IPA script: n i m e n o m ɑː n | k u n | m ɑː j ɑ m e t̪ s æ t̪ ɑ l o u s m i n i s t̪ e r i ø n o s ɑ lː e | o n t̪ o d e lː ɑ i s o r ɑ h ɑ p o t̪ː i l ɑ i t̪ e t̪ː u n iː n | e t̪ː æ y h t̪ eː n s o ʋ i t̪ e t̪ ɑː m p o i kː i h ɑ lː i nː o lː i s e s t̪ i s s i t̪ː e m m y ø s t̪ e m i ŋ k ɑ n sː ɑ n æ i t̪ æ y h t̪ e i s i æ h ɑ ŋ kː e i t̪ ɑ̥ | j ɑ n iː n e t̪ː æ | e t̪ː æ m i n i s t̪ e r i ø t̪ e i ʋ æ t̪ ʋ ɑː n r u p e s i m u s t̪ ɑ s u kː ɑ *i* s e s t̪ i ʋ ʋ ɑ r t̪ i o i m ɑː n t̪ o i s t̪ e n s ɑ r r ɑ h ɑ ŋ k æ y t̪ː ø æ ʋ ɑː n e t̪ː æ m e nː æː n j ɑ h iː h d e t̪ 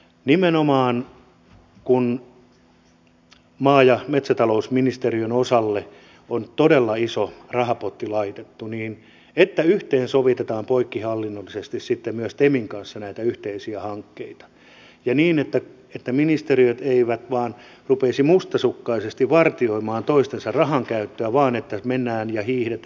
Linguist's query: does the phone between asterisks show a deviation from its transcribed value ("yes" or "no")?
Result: no